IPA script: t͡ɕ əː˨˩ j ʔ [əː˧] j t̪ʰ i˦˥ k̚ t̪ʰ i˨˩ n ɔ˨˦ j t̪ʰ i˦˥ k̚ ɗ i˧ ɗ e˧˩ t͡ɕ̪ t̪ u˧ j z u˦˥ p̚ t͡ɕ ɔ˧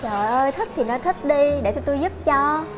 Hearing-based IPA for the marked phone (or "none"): əː˧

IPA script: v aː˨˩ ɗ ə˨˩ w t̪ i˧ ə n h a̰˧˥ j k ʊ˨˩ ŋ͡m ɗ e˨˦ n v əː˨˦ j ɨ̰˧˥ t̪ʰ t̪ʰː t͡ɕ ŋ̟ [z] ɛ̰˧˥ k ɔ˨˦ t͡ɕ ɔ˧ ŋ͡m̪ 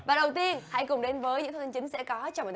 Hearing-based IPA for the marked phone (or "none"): s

